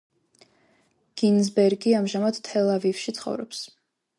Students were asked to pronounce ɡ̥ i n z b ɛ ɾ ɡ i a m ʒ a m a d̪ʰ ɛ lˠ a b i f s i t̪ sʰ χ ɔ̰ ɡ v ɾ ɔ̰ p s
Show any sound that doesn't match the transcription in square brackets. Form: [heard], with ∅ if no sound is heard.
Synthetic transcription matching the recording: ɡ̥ i n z b ɛ ɾ ɡ i a m ʒ a m a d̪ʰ ɛ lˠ a [v] i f [ʃ] i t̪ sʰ χ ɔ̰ [∅] v ɾ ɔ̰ p s

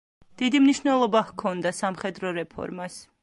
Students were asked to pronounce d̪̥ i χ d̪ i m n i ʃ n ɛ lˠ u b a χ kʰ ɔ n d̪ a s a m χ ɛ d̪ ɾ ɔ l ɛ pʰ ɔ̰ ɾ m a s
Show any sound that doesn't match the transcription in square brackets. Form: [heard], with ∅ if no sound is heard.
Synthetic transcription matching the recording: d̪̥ i [∅] d̪ i m n i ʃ n ɛ lˠ [ɔ] b a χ kʰ ɔ n d̪ a s a m χ ɛ d̪ ɾ ɔ [ɾ] ɛ pʰ ɔ̰ ɾ m a s

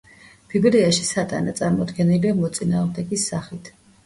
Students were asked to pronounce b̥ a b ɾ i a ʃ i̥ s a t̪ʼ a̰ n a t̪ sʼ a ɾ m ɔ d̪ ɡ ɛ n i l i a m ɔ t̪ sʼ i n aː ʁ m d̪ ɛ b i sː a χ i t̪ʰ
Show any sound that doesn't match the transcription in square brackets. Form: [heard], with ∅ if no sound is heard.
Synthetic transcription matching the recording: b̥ [i] b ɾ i a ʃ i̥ s a t̪ʼ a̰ n a t̪ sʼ a ɾ m ɔ d̪ ɡ ɛ n i l i a m ɔ t̪ sʼ i n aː ʁ m d̪ ɛ [ɡ] i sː a χ i t̪ʰ

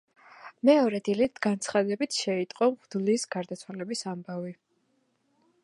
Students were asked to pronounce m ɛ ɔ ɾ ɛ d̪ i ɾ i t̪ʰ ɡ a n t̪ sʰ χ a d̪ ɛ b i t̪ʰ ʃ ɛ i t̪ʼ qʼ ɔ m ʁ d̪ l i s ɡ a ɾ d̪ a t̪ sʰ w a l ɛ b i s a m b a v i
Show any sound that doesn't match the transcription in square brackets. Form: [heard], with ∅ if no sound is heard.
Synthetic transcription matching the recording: m ɛ ɔ ɾ ɛ d̪ i [l] i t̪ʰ ɡ a n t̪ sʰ χ a d̪ ɛ b i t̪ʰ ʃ ɛ i t̪ʼ qʼ ɔ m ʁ d̪ l i s ɡ a ɾ d̪ a t̪ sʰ w a l ɛ b i s a m b a v i

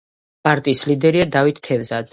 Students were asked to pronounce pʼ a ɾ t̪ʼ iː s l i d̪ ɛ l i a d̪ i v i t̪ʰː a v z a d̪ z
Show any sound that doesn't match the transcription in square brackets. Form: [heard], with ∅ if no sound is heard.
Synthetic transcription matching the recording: pʼ a ɾ t̪ʼ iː s l i d̪ ɛ [ɾ] i a d̪ [a] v i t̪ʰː [ɛ] v z a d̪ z

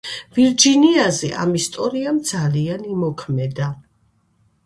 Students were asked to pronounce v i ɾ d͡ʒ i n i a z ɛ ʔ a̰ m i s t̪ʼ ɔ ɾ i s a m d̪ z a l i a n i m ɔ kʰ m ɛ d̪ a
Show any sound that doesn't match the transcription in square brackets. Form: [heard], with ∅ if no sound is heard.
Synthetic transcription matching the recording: v i ɾ d͡ʒ i n i a z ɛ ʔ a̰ m i s t̪ʼ ɔ ɾ i [∅] a m d̪ z a l i a n i m ɔ kʰ m ɛ d̪ a

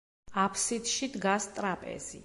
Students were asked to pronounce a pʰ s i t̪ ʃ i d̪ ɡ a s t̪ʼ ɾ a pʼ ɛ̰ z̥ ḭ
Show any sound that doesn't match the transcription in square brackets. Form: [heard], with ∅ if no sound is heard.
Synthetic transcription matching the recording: a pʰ s i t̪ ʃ i d̪ ɡ a s t̪ʼ ɾ a pʼ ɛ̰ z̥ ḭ

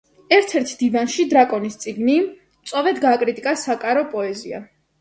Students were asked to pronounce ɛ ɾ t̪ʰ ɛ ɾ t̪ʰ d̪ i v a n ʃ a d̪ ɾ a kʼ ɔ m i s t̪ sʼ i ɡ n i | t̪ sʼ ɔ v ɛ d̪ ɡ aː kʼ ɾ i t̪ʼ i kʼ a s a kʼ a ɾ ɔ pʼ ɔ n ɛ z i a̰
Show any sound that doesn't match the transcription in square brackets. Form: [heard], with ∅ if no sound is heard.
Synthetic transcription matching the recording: ɛ ɾ t̪ʰ ɛ ɾ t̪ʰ d̪ i v a n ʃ [i] d̪ ɾ a kʼ ɔ [n] i s t̪ sʼ i ɡ n i | t̪ sʼ ɔ v ɛ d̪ ɡ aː kʼ ɾ i t̪ʼ i kʼ a s a kʼ a ɾ ɔ pʼ ɔ [∅] ɛ z i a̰

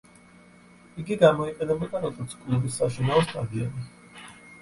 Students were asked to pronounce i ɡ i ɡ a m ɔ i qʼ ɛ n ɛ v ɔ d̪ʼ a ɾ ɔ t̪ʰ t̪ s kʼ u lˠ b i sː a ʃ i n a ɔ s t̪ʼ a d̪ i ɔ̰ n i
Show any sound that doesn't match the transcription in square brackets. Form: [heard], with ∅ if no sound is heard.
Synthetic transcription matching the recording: i ɡ i ɡ a m ɔ i qʼ ɛ n ɛ [b] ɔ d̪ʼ a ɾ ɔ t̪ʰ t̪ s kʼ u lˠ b i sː a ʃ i n a ɔ s t̪ʼ a d̪ i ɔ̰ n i

